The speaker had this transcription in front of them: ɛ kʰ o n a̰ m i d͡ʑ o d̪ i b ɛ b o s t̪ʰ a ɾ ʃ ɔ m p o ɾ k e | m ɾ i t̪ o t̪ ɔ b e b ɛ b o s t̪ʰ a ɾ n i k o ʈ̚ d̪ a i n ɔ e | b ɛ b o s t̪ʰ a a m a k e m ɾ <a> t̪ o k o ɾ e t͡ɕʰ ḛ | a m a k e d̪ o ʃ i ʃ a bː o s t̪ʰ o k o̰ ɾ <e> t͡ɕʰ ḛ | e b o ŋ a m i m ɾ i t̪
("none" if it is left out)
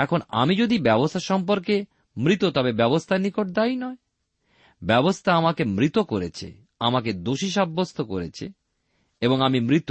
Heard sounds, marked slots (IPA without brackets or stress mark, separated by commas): i, e